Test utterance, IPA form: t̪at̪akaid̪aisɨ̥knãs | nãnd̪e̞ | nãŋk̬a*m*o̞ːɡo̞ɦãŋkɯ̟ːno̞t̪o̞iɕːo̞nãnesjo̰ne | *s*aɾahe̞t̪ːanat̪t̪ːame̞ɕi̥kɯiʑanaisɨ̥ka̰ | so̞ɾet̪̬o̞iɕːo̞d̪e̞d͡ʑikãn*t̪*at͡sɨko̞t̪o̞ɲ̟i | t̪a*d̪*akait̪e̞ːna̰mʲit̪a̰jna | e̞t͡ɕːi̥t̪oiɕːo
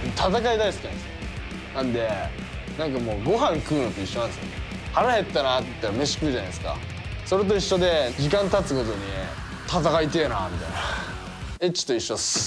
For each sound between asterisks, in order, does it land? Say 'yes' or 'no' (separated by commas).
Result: yes, no, yes, no